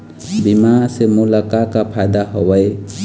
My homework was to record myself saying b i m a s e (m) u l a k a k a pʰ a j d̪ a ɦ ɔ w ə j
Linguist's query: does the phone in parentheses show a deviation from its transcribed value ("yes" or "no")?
no